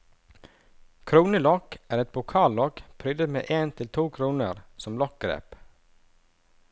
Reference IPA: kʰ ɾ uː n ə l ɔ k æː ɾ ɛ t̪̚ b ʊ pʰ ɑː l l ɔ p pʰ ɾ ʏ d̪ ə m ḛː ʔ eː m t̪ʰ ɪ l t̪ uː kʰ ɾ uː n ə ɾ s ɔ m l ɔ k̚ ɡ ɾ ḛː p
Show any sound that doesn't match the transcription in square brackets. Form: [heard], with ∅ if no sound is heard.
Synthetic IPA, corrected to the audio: kʰ ɾ uː n ə l ɔ k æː ɾ ɛ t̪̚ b ʊ [kʰ] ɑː l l ɔ [k] pʰ ɾ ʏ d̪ ə m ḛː ʔ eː [n] t̪ʰ ɪ l [t̪ʰ] uː kʰ ɾ uː n ə ɾ s ɔ m l ɔ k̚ ɡ ɾ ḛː p